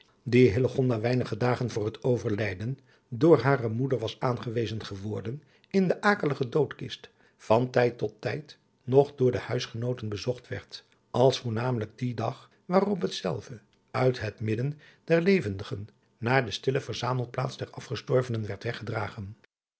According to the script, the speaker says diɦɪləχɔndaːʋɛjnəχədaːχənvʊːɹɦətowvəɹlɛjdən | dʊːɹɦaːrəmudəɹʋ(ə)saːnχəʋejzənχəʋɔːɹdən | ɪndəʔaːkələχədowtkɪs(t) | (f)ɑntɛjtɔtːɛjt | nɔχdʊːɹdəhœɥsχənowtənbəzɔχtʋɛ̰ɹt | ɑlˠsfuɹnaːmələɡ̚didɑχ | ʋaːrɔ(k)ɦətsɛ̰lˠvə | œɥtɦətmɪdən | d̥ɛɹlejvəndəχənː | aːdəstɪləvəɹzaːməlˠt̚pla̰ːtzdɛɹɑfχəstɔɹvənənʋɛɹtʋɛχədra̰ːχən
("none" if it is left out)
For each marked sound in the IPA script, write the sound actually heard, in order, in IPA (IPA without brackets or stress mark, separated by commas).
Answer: ɑ, t, f, p